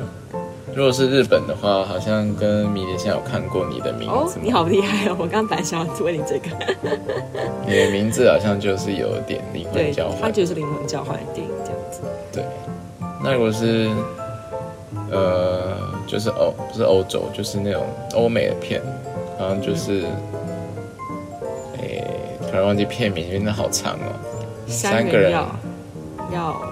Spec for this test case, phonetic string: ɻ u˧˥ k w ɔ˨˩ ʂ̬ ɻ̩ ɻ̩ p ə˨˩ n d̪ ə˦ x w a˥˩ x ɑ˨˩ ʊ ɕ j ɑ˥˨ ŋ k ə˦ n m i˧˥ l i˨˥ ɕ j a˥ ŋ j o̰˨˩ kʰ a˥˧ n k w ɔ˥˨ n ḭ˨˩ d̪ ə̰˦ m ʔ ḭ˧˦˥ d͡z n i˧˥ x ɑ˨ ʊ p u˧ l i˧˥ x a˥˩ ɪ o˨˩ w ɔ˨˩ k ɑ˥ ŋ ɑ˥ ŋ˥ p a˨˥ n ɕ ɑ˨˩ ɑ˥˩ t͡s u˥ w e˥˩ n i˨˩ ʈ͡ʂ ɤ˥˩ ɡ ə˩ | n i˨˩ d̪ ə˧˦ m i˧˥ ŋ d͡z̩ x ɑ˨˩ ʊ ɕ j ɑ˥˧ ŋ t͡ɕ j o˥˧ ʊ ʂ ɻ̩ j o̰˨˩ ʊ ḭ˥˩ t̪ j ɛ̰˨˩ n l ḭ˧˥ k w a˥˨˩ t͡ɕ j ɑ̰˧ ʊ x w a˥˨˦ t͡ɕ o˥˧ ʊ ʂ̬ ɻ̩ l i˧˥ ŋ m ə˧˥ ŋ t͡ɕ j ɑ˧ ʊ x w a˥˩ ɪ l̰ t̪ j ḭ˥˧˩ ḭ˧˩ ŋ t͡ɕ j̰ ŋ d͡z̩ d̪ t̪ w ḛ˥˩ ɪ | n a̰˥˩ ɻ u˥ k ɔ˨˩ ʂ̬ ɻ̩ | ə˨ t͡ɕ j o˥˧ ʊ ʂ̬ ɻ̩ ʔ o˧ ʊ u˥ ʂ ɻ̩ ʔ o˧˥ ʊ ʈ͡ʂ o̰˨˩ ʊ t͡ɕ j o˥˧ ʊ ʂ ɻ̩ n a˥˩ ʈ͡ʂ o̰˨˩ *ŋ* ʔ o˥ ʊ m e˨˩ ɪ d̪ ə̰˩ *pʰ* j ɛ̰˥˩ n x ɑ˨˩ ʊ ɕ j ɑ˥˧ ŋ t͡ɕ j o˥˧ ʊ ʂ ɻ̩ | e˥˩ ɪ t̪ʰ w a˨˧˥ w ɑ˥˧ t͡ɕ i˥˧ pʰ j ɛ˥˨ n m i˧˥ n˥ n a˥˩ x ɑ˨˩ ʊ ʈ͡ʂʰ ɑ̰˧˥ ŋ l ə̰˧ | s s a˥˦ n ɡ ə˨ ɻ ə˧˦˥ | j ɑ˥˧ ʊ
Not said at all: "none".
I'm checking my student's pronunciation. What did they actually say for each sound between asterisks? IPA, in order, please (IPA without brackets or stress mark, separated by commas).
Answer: ŋ, pʰ